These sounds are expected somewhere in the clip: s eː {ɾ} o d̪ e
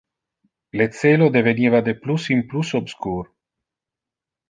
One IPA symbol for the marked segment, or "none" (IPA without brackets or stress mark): l